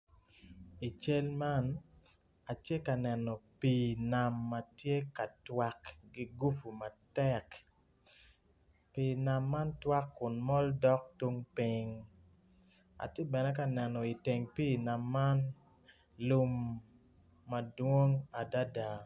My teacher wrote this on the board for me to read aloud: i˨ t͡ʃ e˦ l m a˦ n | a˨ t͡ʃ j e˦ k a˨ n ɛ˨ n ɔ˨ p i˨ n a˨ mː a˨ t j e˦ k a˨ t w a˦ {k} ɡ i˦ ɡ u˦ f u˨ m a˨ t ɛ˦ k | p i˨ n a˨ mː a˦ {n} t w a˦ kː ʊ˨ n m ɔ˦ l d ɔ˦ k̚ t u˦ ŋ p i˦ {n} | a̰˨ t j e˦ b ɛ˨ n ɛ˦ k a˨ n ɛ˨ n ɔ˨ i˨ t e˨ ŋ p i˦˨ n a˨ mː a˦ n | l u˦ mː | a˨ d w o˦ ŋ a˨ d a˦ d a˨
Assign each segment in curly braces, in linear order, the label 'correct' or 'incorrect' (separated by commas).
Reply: correct, correct, incorrect